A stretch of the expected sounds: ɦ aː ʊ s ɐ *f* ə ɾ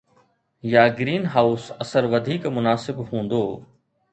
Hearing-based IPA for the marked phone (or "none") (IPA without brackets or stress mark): s